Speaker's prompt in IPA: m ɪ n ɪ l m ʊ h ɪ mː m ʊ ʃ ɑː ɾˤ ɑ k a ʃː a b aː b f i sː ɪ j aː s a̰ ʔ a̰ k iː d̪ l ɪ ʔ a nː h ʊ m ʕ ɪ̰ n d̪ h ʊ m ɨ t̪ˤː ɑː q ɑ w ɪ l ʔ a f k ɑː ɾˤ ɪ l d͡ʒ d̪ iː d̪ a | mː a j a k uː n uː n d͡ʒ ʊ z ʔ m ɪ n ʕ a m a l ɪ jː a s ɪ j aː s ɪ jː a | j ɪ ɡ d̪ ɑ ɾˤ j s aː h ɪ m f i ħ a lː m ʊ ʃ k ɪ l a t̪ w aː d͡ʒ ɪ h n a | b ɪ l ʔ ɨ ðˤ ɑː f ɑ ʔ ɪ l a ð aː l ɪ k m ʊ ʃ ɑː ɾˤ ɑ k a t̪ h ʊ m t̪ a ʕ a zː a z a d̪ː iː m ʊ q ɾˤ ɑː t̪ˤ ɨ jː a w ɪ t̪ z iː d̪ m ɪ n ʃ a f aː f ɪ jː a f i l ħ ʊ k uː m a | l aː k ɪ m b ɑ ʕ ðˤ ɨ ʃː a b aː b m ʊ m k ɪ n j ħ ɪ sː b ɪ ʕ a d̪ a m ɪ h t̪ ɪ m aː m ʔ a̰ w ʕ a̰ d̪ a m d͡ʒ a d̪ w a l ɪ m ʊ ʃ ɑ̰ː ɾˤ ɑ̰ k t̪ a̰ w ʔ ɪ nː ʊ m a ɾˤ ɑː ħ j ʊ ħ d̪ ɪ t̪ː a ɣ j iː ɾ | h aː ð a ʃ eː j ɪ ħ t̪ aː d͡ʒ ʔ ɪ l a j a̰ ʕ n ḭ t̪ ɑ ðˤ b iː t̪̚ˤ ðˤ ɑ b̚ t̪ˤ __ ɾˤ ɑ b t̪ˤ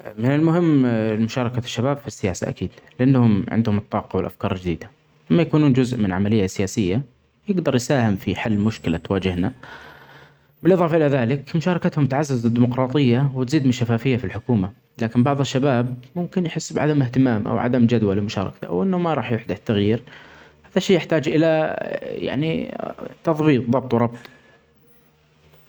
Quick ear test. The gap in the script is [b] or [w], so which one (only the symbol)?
w